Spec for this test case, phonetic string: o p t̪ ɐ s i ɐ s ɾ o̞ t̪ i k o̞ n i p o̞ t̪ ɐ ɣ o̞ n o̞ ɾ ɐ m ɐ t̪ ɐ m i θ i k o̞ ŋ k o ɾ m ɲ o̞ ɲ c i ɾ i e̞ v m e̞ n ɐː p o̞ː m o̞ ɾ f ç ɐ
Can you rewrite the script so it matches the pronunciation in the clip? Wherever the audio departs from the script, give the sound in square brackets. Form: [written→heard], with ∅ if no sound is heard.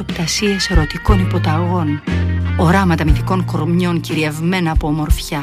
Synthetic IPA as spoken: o p t̪ ɐ s i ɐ s ɾ o̞ t̪ i k o̞ n i p o̞ t̪ ɐ ɣ o̞ n o̞ ɾ ɐ m ɐ t̪ ɐ m i θ i k o̞ ŋ k o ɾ m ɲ o̞ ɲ c i ɾ i e̞ v m e̞ n ɐː p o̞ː m o̞ ɾ f ç ɐ